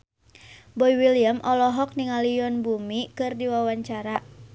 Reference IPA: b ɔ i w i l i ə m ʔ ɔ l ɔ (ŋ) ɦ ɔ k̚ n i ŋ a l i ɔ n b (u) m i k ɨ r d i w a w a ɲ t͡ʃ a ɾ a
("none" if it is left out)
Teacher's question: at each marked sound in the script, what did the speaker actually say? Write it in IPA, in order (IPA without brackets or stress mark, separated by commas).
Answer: none, u